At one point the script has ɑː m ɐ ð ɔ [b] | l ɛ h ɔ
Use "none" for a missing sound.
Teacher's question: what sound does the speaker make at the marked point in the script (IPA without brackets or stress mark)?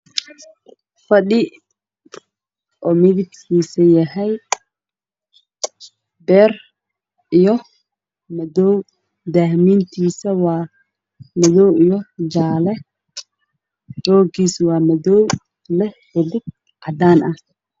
w